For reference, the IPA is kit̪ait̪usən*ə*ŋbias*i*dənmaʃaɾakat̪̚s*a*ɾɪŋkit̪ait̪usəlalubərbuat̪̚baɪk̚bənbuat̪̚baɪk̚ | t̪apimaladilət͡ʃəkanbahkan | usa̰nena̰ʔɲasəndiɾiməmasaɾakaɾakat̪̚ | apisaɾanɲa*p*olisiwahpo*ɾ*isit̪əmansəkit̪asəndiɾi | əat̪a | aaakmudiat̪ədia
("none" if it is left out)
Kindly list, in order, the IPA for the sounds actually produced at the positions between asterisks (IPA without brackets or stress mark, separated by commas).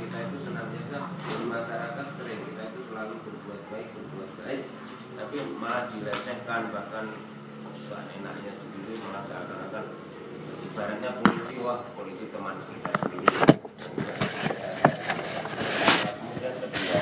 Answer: a, a, ə, p, l